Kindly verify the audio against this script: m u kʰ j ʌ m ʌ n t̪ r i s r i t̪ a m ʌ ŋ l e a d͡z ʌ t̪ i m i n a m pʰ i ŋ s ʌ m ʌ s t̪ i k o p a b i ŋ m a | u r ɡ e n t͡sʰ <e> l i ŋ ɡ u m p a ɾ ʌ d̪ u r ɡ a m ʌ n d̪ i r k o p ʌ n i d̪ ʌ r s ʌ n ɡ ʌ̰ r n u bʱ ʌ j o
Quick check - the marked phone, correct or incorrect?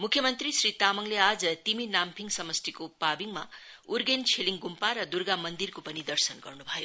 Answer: correct